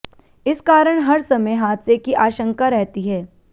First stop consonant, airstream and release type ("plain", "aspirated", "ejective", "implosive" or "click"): plain